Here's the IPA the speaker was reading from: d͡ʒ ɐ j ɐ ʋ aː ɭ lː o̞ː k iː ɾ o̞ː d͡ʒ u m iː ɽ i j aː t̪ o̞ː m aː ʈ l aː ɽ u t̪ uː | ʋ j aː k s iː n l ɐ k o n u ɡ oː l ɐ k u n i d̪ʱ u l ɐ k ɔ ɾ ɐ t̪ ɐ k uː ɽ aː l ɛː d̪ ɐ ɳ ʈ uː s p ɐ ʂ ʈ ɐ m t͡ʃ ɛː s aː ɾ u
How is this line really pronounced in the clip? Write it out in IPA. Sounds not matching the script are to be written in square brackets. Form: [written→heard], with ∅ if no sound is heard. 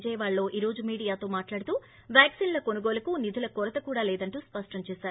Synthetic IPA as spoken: d͡ʒ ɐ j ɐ ʋ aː ɭ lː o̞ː [k→ʔ] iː ɾ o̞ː d͡ʒ u m iː ɽ i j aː t̪ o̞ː m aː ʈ l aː ɽ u t̪ uː | ʋ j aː k s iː n l ɐ k o n u ɡ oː l ɐ k u n i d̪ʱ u l ɐ k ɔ ɾ ɐ t̪ ɐ k uː ɽ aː l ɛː d̪ ɐ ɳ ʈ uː s p ɐ ʂ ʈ ɐ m t͡ʃ ɛː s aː ɾ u